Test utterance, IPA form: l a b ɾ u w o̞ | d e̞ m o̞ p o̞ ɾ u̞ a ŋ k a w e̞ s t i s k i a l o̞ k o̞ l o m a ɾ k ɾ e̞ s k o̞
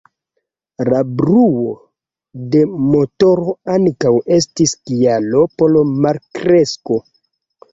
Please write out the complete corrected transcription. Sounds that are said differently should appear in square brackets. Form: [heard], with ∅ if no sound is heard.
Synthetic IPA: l a b ɾ u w o̞ | d e̞ m o̞ [t] o̞ ɾ [o̞] a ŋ k a w e̞ s t i s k i a l o̞ [p] o̞ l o m a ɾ k ɾ e̞ s k o̞